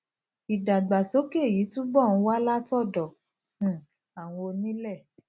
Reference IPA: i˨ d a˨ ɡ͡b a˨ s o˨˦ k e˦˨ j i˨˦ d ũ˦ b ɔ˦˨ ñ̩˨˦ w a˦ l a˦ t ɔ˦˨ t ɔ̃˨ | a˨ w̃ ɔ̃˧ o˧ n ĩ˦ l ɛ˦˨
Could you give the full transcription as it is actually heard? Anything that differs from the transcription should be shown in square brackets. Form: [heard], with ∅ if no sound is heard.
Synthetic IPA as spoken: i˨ d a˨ ɡ͡b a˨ s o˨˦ k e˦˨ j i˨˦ [t] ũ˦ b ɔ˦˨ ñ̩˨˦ w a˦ l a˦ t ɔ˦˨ [d] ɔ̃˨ | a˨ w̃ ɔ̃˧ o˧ n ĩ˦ l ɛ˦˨